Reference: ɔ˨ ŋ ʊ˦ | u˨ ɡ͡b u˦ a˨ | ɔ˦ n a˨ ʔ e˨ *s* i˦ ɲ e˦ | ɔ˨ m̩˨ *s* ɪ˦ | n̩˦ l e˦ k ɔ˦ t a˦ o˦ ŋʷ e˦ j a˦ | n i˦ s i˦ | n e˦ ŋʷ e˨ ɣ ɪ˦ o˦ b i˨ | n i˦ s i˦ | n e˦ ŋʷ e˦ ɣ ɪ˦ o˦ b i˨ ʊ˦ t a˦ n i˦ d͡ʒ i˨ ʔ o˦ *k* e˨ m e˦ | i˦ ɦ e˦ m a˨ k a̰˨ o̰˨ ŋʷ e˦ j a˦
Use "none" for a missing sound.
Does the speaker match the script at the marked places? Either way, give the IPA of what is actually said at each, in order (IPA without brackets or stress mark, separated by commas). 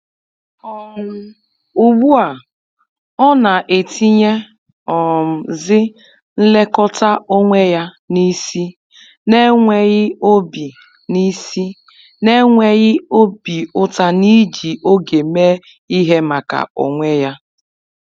t, z, ɡ